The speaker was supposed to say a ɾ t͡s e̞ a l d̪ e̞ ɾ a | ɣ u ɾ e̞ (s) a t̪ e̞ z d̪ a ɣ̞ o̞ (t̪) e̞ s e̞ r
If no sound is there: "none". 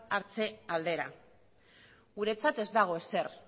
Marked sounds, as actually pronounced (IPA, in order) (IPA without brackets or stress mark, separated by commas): t͡s, none